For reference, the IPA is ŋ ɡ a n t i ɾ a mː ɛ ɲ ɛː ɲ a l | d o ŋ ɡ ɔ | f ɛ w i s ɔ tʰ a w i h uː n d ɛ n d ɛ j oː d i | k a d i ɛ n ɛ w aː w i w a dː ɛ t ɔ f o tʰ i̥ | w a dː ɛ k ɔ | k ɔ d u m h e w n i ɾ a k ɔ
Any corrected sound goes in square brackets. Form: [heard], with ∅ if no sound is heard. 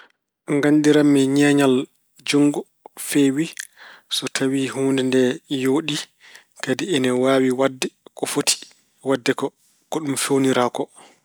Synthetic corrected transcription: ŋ ɡ a n [d] i ɾ a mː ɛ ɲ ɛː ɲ a l | [d͡ʒ] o ŋ ɡ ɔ | f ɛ w i s ɔ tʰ a w i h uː n d ɛ n d ɛ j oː [ɗ] i | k a d i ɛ n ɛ w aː w i w a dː ɛ [k] ɔ f o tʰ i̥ | w a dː ɛ k ɔ | k ɔ [ɗ] u m [f] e w n i ɾ a k ɔ